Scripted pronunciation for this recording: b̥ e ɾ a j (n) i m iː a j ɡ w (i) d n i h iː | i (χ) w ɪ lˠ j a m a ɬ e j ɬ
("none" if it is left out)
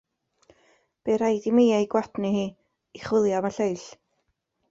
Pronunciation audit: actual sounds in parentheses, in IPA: d, a, χ

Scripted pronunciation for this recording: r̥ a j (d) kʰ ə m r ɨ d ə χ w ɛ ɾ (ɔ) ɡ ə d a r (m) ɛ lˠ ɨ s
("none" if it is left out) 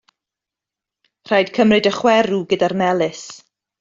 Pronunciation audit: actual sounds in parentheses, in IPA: d, u, m

